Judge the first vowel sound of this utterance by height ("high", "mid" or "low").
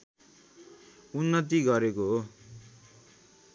high